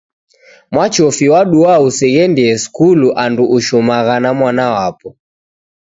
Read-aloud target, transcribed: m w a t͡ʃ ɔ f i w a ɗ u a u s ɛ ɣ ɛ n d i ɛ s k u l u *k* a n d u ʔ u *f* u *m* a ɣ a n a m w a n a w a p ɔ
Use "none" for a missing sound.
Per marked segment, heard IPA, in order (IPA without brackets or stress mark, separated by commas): ʔ, ʃ, m